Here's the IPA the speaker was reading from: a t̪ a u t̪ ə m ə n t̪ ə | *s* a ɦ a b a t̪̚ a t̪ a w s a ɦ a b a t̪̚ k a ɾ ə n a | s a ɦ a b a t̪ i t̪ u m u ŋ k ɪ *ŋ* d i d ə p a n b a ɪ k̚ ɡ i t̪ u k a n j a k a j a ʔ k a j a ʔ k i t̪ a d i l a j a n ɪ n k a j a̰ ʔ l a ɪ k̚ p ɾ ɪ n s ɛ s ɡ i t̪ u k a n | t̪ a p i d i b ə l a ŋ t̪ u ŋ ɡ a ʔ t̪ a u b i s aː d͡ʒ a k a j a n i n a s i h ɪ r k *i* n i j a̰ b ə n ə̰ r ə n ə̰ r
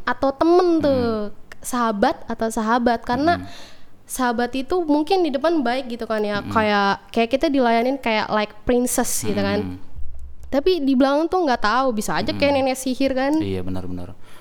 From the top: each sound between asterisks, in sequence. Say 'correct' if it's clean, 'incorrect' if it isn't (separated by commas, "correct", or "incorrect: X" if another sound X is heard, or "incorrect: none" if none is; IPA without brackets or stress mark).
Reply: correct, incorrect: n, incorrect: a